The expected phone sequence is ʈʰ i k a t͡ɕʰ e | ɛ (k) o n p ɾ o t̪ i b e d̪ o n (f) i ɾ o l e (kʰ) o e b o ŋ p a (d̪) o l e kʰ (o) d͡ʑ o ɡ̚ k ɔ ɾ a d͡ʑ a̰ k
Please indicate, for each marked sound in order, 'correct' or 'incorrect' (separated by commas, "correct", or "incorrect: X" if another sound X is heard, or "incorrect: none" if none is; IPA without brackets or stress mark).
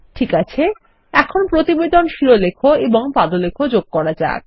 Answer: incorrect: kʰ, incorrect: ʃ, correct, correct, correct